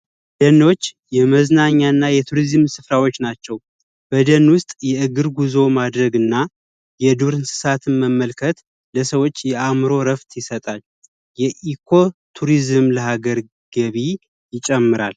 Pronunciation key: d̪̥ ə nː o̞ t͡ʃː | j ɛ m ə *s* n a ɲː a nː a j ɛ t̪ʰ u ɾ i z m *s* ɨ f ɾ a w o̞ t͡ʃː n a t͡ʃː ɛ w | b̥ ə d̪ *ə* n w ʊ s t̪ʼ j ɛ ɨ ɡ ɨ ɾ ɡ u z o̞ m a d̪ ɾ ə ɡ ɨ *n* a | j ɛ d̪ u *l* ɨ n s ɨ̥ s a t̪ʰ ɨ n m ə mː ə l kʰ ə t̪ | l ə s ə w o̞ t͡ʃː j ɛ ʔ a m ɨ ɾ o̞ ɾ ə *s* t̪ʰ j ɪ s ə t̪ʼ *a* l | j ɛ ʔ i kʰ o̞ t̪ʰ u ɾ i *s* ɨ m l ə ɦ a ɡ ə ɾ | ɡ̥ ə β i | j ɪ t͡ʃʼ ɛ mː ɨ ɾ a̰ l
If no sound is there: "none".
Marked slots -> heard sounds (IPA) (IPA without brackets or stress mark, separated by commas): z, s, ə, nː, ɾ, f, a, z